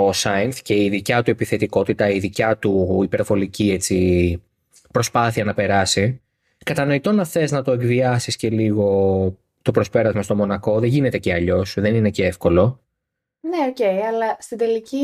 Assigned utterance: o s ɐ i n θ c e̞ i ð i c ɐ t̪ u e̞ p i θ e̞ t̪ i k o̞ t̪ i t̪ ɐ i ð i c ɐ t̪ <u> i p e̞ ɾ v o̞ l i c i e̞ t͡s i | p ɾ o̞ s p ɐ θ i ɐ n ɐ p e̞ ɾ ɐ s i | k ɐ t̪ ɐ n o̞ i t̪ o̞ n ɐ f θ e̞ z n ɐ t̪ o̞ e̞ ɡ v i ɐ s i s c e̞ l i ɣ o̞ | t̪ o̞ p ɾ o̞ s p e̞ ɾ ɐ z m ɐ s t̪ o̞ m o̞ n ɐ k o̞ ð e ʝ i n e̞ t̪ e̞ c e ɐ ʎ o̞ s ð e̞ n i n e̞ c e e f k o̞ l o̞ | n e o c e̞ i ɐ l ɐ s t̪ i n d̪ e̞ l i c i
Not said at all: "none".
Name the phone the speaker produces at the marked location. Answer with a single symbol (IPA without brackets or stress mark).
u